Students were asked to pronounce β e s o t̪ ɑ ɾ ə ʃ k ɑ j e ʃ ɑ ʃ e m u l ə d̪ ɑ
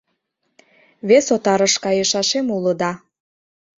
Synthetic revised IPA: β e s o t̪ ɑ ɾ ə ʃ k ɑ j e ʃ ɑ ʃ e m u l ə d̪ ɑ